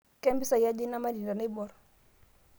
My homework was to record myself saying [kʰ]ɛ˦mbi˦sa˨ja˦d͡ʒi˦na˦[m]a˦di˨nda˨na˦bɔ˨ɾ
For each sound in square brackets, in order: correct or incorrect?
incorrect: k, correct

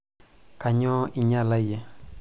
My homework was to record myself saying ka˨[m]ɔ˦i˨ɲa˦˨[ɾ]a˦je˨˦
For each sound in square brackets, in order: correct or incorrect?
incorrect: ɲ, incorrect: l

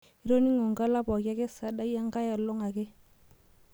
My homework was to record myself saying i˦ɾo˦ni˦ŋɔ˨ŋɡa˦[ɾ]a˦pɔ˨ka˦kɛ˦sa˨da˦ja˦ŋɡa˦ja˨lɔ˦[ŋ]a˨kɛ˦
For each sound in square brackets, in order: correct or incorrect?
incorrect: l, correct

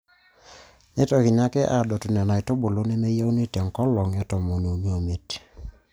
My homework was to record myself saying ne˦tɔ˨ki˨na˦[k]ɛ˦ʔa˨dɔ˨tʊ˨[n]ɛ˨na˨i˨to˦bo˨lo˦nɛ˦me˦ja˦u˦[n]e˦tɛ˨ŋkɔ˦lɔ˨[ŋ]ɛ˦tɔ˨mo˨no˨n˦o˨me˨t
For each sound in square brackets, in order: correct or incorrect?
correct, correct, correct, correct

